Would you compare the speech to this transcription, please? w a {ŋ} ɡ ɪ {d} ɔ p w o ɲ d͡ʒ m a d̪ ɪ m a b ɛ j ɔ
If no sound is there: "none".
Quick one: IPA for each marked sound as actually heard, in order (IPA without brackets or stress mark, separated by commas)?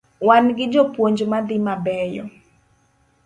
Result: n, d͡ʒ